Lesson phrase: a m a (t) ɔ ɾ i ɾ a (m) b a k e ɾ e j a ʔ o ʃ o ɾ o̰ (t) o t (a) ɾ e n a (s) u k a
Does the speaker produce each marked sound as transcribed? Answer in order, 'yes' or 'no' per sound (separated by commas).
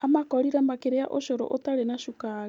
no, yes, no, yes, no